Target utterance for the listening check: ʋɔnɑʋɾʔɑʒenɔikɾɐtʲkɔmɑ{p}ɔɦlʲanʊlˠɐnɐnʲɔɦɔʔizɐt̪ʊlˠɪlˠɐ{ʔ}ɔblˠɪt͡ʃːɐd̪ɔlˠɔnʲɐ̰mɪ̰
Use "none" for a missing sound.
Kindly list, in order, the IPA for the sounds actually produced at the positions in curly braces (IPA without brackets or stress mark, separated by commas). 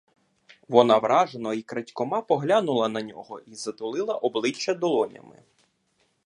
p, ʔ